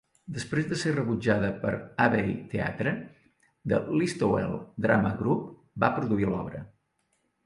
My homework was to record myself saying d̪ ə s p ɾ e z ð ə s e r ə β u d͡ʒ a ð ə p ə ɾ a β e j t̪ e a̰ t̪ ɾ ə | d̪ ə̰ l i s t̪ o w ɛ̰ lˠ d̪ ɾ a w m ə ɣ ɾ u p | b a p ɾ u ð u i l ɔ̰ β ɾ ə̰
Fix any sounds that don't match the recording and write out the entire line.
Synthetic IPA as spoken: d̪ ə s p ɾ e z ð ə s e r ə β u d͡ʒ a ð ə p ə ɾ a β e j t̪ e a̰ t̪ ɾ ə | d̪ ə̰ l i s t̪ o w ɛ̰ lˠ d̪ ɾ a m ə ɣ ɾ u p | b a p ɾ u ð u i l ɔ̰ β ɾ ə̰